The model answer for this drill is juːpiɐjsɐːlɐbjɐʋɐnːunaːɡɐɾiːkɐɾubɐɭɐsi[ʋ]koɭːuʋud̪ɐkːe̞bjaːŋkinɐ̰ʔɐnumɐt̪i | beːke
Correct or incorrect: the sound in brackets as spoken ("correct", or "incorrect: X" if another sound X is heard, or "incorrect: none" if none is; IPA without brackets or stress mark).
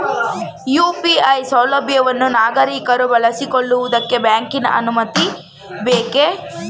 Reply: incorrect: none